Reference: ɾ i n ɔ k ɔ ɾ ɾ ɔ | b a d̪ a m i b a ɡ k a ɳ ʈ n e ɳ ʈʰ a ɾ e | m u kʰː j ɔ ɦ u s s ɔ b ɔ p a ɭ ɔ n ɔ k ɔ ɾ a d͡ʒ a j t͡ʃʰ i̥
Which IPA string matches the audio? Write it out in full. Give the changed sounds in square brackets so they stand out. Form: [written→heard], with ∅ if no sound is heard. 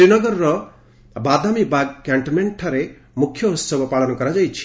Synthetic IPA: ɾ i n ɔ [k→ɡ] ɔ ɾ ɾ ɔ | b a d̪ a m i b a ɡ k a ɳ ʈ [n→m] e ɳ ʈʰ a ɾ e | m u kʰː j ɔ ɦ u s s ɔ b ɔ p a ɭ ɔ n ɔ k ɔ ɾ a d͡ʒ a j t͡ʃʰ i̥